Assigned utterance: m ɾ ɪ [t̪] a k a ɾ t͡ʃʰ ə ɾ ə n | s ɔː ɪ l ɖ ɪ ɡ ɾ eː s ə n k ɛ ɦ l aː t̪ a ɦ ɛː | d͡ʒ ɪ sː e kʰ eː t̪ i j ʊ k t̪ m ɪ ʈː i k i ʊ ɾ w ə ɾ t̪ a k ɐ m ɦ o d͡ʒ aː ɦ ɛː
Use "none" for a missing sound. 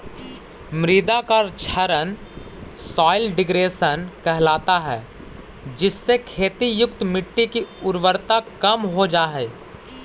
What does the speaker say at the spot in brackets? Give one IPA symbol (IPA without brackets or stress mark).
d̪